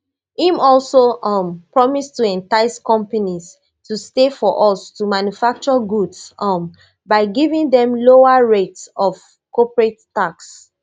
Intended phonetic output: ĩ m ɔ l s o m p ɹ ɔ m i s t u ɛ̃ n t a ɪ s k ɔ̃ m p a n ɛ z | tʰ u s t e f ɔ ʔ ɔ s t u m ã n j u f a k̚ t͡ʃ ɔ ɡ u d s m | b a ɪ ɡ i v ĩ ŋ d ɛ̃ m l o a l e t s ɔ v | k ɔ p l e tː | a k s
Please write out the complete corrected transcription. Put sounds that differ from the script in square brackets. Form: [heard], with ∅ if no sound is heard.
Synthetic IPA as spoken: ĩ m ɔ l s o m p ɹ ɔ m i s t u ɛ̃ n t a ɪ s k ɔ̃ m p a n [i] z | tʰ u s t e f ɔ ʔ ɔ s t u m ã n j u f a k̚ t͡ʃ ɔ ɡ u d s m | b a ɪ ɡ i v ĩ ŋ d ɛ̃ m l o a [ɹ] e t s ɔ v | k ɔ p [ɹ] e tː | a k s